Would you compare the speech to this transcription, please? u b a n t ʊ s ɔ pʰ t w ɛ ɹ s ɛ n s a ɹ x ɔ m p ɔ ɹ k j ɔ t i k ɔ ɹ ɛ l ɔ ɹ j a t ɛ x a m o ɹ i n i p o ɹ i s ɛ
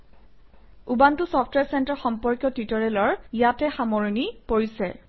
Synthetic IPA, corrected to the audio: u b a n t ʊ s ɔ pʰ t w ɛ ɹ s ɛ n t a ɹ x ɔ m p ɔ ɹ k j ɔ t i t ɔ ɹ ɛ l ɔ ɹ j a t ɛ x a m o ɹ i n i p o ɹ i s ɛ

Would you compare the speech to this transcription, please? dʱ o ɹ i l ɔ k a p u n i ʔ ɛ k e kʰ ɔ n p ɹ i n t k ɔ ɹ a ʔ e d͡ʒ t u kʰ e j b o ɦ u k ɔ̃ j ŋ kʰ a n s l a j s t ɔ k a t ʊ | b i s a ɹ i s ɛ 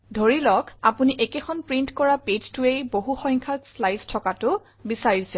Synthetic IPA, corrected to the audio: dʱ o ɹ i l ɔ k a p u n i ʔ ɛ k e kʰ ɔ n p ɹ i n t k ɔ ɹ a p e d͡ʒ t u e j b o ɦ u x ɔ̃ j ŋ kʰ a s l a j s tʰ ɔ k a t ʊ | b i s a ɹ i s ɛ

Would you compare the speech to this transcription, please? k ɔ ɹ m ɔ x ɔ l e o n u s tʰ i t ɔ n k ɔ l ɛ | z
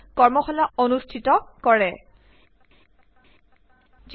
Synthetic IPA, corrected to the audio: k ɔ ɹ m ɔ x ɔ l a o n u s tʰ i t ɔ k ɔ ɹ ɛ | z

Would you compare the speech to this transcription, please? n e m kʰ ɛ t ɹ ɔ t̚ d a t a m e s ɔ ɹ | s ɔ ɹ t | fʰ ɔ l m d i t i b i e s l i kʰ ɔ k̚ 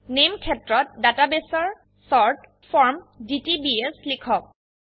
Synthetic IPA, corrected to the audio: n e m kʰ ɛ t ɹ ɔ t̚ d a t a b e s ɔ ɹ | s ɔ ɹ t | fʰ ɔ ɹ m d i t i b i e s l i kʰ ɔ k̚

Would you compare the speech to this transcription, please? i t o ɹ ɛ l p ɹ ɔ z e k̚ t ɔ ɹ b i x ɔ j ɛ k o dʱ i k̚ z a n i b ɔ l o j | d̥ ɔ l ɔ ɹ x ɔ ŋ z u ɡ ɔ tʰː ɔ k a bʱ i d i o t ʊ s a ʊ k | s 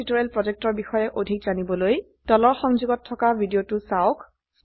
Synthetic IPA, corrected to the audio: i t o ɹ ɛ l p ɹ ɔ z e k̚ t ɔ ɹ b i x ɔ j ɛ ʔ o dʱ i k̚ z a n i b ɔ l o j | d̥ ɔ l ɔ ɹ x ɔ ŋ z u ɡ ɔ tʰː ɔ k a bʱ i d i o t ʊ s a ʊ k | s

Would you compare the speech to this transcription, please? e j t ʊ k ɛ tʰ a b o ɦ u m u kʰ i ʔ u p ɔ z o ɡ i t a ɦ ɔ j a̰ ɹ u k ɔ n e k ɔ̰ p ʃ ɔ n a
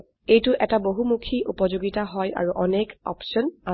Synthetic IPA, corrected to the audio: e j t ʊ ʔ ɛ t a b o ɦ u m u kʰ i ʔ u p ɔ z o ɡ i t a ɦ ɔ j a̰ ɹ u ʔ ɔ n e k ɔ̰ p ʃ ɔ n a

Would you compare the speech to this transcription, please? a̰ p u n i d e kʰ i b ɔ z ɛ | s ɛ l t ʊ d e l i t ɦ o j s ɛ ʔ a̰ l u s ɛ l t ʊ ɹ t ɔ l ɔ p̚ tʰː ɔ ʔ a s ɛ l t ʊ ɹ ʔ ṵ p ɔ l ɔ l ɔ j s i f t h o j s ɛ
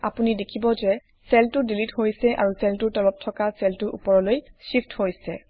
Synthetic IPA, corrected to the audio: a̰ p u n i d e kʰ i b ɔ z ɛ | s ɛ l t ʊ d i l i t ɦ o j s ɛ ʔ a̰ ɹ u s ɛ l t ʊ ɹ t ɔ l ɔ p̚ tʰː ɔ k a s ɛ l t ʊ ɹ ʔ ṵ p ɔ ɹ ɔ l o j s i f t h o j s ɛ

